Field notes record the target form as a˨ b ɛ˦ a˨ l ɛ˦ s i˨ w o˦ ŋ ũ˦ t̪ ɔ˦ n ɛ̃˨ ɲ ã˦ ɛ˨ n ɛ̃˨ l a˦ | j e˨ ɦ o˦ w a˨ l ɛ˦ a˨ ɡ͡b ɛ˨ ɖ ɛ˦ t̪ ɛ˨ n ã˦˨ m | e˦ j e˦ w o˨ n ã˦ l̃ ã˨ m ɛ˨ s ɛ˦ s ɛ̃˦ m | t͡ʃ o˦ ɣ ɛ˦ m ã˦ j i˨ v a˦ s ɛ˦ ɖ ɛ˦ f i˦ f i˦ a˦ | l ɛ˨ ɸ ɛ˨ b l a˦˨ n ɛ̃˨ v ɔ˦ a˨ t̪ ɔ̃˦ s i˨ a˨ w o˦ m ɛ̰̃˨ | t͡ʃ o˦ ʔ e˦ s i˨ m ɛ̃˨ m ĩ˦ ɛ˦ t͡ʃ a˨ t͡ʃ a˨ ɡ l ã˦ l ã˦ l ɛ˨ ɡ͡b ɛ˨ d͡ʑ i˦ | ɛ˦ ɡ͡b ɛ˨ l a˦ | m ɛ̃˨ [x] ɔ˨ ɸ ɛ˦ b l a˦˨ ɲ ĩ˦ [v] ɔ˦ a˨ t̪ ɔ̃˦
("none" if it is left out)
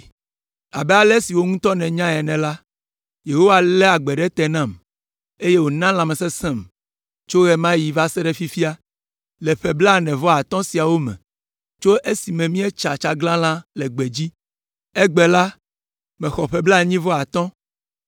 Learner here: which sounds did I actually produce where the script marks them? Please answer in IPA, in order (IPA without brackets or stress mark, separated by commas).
x, v